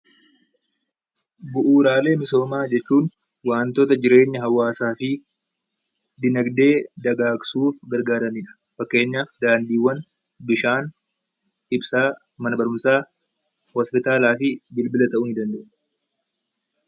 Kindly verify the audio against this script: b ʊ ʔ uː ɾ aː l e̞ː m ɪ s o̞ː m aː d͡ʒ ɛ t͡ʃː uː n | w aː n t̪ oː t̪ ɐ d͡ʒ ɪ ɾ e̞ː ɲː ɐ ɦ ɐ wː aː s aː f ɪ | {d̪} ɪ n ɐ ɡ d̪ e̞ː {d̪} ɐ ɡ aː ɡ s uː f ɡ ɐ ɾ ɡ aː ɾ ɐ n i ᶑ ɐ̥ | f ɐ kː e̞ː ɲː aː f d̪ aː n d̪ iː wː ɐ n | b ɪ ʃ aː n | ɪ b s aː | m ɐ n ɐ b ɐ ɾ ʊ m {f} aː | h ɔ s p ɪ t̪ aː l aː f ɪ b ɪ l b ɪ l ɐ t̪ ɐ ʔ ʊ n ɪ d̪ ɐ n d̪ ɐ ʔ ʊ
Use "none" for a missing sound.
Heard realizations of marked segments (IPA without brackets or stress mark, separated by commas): d̪, d̪, s